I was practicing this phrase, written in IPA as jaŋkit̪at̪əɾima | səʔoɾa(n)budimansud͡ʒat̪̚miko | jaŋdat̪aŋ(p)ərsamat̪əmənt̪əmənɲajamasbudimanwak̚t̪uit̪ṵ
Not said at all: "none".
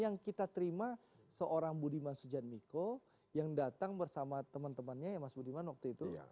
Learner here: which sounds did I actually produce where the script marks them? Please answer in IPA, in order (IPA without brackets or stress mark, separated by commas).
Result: ŋ, b